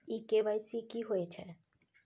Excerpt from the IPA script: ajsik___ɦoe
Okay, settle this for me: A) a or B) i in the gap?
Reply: B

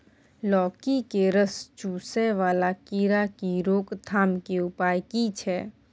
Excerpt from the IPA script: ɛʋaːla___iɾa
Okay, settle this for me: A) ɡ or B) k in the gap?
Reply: B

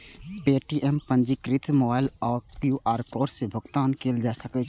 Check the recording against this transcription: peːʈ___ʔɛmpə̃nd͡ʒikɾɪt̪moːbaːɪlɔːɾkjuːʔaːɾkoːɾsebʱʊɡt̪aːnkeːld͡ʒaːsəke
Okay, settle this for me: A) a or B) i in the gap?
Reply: B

